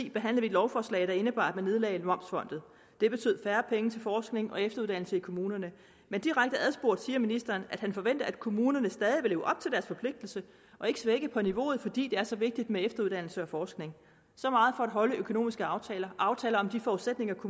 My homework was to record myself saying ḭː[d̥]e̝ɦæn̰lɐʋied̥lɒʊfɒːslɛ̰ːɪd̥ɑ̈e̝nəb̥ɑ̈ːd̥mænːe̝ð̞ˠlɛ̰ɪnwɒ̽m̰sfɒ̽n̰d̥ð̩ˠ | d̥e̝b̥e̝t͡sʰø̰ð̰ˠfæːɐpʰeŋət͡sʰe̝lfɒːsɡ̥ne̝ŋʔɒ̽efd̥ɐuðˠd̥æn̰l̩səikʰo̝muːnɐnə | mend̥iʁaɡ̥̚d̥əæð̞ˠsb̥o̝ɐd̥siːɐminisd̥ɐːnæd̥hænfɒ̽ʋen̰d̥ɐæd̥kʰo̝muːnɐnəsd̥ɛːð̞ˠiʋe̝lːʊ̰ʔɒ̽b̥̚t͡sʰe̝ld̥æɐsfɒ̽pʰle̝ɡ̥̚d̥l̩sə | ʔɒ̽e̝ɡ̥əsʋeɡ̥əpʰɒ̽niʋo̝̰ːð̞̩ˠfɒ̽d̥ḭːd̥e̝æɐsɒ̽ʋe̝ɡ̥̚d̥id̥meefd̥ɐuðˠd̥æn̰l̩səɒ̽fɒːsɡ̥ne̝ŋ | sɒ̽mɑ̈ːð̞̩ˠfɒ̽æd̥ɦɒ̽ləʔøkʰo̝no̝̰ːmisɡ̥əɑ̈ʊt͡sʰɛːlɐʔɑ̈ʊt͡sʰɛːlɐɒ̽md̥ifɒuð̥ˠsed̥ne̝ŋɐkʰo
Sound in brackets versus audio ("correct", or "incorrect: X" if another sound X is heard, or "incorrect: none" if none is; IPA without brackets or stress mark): incorrect: b̥